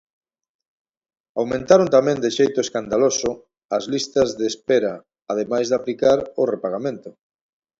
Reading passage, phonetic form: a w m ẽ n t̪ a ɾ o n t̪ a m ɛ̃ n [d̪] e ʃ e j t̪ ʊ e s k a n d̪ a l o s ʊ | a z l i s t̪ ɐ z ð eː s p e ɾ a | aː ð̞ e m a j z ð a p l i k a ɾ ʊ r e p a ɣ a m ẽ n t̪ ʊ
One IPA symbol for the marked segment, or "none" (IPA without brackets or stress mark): d̪